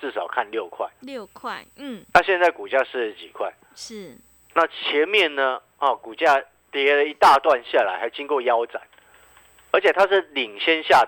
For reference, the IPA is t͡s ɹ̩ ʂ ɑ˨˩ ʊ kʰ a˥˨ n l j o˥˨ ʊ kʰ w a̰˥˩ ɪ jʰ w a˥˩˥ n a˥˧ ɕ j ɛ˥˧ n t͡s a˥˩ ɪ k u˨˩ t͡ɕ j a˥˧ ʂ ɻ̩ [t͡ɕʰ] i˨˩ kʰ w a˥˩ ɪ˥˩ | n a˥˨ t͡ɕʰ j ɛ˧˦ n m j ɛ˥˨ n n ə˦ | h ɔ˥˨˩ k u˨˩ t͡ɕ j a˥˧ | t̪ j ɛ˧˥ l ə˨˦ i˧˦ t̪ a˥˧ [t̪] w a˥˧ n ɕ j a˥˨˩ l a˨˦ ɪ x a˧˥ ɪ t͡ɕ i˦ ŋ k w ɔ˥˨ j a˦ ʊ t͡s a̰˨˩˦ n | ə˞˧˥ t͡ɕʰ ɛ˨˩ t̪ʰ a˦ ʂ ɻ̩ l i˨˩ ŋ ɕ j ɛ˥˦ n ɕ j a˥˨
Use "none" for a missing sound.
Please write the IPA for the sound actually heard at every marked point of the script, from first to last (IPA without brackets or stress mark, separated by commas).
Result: t͡ɕ, t̪